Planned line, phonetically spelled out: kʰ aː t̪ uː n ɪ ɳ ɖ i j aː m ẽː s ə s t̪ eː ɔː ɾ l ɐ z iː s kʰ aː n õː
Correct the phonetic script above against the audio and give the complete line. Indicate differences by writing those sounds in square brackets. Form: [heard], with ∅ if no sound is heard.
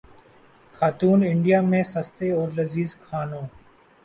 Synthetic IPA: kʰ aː t̪ uː n ɪ ɳ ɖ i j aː m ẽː s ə s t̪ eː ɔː ɾ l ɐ z iː [z] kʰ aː n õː